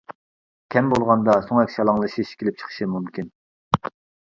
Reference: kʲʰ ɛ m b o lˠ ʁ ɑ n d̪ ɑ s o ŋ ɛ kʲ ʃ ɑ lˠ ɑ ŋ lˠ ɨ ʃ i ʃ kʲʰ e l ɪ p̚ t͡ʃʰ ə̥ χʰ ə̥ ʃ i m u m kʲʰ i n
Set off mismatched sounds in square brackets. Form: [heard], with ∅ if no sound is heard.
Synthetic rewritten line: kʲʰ ɛ m b o lˠ ʁ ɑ n d̪ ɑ s o ŋ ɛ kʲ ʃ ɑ lˠ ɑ ŋ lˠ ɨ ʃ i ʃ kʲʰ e l ɪ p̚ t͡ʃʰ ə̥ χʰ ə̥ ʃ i m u m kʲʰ i n